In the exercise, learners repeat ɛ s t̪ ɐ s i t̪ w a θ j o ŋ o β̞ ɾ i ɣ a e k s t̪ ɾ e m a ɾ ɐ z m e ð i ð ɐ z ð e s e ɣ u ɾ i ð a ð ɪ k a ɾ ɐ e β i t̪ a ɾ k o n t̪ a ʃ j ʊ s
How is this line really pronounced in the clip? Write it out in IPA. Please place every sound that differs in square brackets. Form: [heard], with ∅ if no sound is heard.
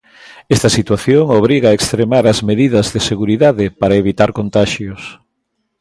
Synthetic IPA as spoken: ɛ s t̪ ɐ s i t̪ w a θ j o ŋ o β̞ ɾ i ɣ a e k s t̪ ɾ e m a ɾ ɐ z m e ð i ð ɐ z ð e s e ɣ u ɾ i ð a ð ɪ [p] a ɾ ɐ e β i t̪ a ɾ k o n t̪ a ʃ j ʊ s